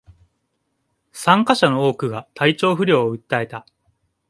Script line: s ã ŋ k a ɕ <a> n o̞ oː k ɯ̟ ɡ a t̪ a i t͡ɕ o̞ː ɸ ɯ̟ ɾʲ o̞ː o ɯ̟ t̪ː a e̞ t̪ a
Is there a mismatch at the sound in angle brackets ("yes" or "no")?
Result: no